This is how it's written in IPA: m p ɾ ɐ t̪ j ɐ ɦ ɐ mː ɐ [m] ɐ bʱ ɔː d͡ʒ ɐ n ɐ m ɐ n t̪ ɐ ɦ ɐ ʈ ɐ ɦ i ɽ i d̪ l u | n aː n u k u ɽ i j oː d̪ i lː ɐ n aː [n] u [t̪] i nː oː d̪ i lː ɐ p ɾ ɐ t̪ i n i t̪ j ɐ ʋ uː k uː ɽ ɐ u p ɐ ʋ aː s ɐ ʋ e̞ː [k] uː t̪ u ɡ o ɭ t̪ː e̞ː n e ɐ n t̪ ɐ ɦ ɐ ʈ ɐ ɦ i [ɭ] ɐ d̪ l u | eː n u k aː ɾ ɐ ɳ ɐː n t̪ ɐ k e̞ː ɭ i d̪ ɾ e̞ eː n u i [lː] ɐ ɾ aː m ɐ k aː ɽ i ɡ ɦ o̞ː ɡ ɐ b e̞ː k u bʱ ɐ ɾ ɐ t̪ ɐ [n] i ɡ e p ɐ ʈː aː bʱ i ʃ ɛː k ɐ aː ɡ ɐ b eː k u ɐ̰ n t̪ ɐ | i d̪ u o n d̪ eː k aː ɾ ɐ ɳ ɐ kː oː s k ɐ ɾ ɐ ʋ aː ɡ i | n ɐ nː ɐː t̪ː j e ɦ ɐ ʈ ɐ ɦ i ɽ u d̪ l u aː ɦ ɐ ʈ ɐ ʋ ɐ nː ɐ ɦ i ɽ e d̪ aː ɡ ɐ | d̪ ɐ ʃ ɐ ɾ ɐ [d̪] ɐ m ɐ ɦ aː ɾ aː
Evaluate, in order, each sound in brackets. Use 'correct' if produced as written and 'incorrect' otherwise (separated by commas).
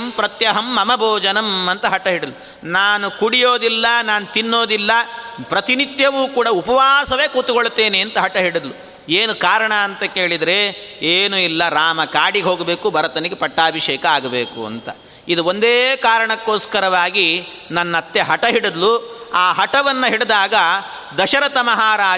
correct, correct, correct, correct, incorrect, correct, correct, incorrect